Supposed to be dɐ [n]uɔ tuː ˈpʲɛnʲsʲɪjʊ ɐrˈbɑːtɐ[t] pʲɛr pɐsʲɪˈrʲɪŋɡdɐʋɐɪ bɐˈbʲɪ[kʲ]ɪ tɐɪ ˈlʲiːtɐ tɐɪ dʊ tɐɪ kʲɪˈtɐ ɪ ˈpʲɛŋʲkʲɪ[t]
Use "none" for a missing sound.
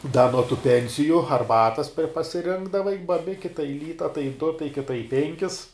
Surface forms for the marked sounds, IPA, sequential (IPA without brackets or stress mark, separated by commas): n, s, kʲ, s